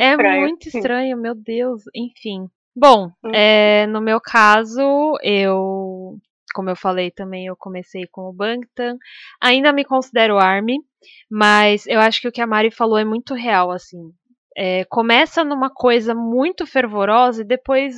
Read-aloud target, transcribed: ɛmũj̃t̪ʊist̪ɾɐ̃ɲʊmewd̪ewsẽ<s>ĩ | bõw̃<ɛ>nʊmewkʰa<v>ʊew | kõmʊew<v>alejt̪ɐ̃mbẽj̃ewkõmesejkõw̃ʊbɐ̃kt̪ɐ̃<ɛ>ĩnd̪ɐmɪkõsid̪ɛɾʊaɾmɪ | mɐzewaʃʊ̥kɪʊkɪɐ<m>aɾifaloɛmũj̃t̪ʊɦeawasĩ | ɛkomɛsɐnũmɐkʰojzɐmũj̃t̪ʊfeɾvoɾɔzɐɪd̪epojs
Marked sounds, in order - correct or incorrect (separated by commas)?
incorrect, correct, incorrect, incorrect, incorrect, correct